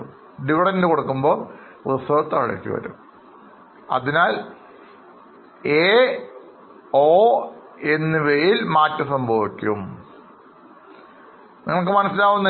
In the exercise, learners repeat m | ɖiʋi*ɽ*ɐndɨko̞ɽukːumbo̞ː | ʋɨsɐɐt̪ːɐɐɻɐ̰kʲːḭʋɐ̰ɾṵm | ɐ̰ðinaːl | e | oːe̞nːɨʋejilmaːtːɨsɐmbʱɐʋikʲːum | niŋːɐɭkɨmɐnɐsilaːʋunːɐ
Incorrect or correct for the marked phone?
correct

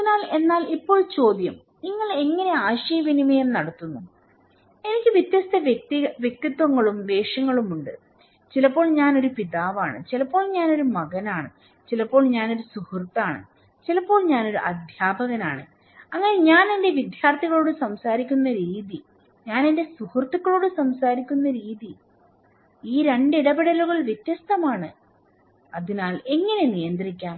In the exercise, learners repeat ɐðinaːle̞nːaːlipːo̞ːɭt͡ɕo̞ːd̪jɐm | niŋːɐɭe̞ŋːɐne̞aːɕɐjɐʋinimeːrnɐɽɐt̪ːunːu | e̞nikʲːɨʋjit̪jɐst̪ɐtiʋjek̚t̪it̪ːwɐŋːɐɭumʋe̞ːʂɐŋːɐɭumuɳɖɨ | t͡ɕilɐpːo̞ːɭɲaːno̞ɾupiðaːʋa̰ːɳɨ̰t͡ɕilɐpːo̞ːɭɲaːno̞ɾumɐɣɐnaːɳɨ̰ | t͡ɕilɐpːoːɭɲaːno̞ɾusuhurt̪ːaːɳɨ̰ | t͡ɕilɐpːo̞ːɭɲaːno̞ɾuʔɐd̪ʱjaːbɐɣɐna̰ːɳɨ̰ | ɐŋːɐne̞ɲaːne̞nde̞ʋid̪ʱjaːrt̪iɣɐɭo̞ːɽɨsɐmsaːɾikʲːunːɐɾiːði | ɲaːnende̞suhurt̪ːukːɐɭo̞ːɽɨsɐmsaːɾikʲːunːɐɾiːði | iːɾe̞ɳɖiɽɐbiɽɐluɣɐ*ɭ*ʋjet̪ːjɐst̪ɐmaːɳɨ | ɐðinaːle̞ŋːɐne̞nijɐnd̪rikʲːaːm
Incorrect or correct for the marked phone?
correct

